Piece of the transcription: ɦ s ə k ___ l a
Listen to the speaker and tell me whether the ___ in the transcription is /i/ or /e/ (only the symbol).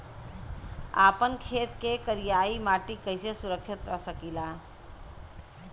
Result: i